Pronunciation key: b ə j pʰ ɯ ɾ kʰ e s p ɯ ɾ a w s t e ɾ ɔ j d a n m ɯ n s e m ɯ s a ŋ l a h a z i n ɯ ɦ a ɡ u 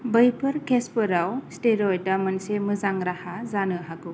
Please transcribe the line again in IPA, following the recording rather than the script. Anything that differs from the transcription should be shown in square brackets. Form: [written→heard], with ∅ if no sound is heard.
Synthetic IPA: b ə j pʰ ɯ ɾ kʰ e s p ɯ ɾ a w s t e ɾ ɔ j d a [n→∅] m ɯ n s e m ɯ [s→z] a ŋ [l→ɾ] a h a z [i→a] n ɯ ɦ a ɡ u